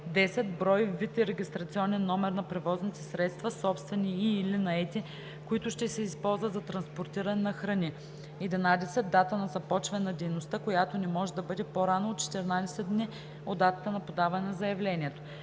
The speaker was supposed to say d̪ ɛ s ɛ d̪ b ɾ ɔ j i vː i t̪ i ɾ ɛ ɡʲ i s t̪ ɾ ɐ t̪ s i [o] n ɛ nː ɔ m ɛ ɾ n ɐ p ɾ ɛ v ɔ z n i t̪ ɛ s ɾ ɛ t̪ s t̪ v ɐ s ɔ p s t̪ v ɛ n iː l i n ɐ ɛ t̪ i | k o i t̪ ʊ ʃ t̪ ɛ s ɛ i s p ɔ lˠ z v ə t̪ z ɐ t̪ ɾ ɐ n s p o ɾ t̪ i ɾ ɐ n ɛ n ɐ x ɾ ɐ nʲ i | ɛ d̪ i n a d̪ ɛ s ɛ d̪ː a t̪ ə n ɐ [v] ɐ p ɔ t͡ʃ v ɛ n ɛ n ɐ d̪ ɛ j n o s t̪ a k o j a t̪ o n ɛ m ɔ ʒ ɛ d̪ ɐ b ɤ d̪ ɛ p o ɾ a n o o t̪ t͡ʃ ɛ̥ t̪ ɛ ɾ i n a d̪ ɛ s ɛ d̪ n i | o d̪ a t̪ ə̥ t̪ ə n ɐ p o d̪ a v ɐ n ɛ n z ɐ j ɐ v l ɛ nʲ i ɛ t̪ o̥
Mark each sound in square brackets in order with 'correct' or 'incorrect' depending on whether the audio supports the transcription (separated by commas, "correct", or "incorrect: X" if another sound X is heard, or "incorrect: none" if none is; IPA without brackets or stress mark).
incorrect: ɔ, incorrect: z